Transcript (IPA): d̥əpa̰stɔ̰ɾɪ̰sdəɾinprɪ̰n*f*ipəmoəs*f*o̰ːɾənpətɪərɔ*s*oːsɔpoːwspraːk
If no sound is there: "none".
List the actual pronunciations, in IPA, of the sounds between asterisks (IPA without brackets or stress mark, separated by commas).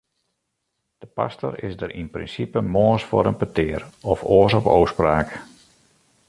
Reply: s, f, f